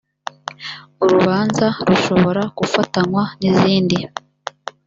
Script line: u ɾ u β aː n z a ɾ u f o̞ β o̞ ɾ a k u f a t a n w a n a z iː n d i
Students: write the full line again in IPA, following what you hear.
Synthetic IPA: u ɾ u β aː n z a ɾ u ʃ o̞ β o̞ ɾ a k u f a t a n w a n i z iː n d i

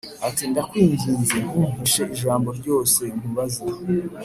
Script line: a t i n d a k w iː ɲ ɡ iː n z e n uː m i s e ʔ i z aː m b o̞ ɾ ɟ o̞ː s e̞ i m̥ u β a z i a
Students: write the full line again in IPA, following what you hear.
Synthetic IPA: a t i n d a k w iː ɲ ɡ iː n z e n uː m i ʃ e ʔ i ʒ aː m b o̞ ɾ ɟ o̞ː s e̞ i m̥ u β a z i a

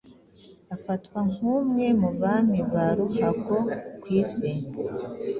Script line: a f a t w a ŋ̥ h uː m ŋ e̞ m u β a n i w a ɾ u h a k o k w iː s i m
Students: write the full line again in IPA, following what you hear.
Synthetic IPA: a f a t w a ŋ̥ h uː m ŋ e̞ m u β a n i β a ɾ u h a k o k w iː s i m

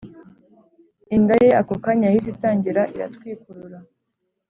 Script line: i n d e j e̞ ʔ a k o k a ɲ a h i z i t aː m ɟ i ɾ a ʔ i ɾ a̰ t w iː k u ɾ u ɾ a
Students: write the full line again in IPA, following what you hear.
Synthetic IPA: i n d a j e̞ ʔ a k o k a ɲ a h i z i t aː ɲ ɟ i ɾ a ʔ i ɾ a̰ t w iː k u ɾ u ɾ a

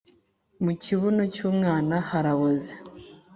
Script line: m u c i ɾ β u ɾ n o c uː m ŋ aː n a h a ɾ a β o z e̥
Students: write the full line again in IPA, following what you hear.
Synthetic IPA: m u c i β u n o c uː m ŋ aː n a h a ɾ a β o z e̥

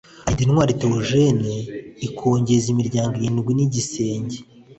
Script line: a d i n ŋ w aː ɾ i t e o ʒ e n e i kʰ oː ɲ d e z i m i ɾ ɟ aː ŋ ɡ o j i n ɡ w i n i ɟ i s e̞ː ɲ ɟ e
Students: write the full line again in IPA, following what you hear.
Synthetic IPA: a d i n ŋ w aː ɾ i t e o ʒ e n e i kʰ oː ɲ ɟ e z i m i ɾ ɟ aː ŋ ɡ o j i n ɡ w i n i ɟ i s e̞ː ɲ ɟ e

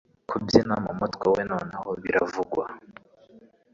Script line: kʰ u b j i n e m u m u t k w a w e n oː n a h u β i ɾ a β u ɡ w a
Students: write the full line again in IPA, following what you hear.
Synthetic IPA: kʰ u b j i n a m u m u t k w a w e n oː n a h o β i ɾ a v u ɡ w a

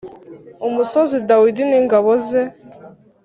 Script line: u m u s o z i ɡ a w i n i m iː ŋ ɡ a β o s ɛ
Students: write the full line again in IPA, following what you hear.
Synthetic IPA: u m u s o z i d a w i d i n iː ŋ ɡ a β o z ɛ

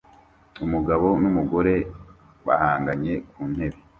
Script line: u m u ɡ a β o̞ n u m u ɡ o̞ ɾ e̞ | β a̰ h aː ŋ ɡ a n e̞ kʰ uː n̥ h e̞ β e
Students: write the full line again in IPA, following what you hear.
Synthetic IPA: u m u ɡ a β o̞ n u m u ɡ o̞ ɾ e̞ | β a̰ h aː ŋ ɡ a ɲ e̞ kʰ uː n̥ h e̞ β e

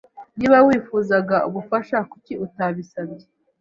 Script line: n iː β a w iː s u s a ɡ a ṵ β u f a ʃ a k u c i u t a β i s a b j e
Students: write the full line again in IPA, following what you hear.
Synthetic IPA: n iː β a w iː f u z a ɡ a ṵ β u f a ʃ a k u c i u t a β i s a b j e

